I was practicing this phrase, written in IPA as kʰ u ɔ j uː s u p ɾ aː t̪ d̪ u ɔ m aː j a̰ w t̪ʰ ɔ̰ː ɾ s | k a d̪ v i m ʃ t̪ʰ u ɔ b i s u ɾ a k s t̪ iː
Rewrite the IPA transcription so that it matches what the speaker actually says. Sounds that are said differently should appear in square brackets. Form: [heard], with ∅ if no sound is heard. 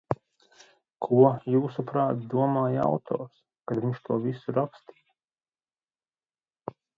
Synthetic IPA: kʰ u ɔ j uː s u p ɾ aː t̪ d̪ u ɔ m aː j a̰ w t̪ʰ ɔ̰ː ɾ s | k a d̪ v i [ɲ] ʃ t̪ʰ u ɔ [v] i s u ɾ a k s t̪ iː